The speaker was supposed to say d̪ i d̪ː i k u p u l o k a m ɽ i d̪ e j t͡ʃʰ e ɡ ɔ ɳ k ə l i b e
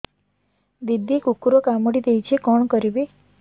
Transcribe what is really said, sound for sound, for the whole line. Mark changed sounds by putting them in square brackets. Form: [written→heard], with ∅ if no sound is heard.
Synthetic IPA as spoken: d̪ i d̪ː i k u [p→k] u [l→ɾ] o k a m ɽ i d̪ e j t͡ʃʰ e [ɡ→k] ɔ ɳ k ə [l→ɾ] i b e